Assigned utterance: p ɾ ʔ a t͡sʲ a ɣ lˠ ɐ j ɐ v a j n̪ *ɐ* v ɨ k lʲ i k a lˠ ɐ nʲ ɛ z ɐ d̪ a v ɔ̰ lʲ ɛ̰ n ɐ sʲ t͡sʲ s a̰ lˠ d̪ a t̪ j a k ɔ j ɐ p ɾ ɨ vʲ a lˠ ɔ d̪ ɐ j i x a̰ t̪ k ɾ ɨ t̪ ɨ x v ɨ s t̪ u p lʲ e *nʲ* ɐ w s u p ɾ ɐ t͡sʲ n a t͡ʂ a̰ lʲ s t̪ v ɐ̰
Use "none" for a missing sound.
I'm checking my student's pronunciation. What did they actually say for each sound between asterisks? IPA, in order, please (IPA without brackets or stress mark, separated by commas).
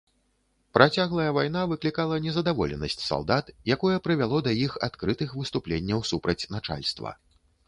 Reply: a, nʲː